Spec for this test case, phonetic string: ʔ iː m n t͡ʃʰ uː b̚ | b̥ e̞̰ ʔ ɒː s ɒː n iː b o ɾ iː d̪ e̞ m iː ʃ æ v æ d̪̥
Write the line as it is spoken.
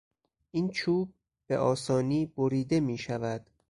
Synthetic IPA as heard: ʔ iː n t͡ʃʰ uː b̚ | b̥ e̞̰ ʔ ɒː s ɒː n iː b o ɾ iː d̪ e̞ m iː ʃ æ v æ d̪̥